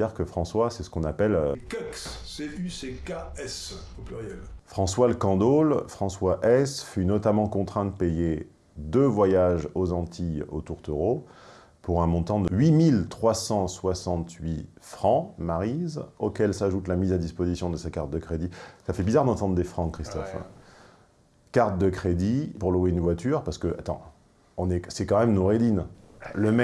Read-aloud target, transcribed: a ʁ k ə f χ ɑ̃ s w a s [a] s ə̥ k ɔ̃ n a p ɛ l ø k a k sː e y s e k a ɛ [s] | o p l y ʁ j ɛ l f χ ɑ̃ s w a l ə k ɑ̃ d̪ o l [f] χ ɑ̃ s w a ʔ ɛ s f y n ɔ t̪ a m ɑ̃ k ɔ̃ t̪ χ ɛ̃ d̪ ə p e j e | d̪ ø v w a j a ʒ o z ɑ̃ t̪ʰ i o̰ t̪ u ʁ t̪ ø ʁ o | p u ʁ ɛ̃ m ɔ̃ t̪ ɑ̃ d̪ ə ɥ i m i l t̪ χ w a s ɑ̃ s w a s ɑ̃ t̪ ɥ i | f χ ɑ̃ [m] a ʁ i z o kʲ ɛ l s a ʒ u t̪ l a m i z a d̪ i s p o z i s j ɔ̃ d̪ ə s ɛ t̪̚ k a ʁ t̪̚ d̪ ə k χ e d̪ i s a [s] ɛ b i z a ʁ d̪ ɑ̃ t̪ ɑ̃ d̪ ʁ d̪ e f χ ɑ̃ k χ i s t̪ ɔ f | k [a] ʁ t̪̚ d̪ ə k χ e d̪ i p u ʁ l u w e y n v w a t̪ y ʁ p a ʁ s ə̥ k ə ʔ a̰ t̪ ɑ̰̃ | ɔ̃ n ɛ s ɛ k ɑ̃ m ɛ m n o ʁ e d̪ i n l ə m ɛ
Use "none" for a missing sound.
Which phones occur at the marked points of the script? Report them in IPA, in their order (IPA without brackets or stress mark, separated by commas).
ɛ, s, f, m, f, a